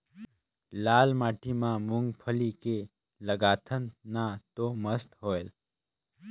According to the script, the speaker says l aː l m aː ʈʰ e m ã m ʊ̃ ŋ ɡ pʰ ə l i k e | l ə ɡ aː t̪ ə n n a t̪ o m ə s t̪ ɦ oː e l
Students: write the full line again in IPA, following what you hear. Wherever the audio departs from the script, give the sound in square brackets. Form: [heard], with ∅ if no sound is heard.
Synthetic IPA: l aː l m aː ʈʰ [i] m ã m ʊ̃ ŋ ɡ pʰ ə l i k e | l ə ɡ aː [t̪ʰ] ə n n a t̪ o m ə s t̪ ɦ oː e l